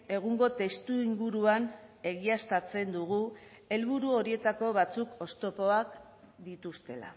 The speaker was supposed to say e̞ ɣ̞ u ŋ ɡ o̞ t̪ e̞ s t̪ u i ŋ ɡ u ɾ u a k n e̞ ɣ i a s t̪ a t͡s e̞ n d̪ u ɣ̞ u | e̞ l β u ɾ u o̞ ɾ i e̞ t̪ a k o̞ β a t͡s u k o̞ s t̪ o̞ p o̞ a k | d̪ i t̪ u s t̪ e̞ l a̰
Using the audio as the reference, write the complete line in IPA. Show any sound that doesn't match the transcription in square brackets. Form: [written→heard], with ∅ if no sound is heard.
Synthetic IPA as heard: e̞ ɣ̞ u ŋ ɡ o̞ t̪ e̞ s t̪ u i ŋ ɡ u ɾ u a [k→∅] n e̞ ɣ i a s t̪ a t͡s e̞ n d̪ u ɣ̞ u | e̞ l β u ɾ u o̞ ɾ i e̞ t̪ a k o̞ β a t͡s u k o̞ s t̪ o̞ p o̞ a k | d̪ i t̪ u s t̪ e̞ l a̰